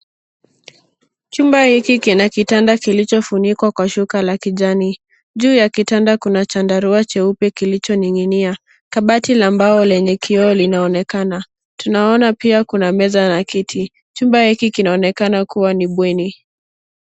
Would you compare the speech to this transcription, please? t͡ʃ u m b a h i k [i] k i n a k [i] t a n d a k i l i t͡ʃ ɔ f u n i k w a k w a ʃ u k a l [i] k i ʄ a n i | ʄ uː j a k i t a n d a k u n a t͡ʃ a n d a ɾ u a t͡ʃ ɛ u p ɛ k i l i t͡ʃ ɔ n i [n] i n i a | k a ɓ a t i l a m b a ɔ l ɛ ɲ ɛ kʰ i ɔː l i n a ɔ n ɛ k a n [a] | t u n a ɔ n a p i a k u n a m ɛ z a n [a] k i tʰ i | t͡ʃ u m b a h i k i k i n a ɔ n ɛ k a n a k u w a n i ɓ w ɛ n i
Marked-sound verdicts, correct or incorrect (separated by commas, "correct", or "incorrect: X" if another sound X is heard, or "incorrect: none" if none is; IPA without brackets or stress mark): correct, correct, incorrect: a, incorrect: ŋ, correct, correct